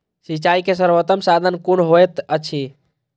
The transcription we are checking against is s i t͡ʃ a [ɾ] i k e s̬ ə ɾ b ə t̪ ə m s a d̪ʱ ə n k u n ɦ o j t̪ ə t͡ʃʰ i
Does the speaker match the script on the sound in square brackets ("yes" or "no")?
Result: no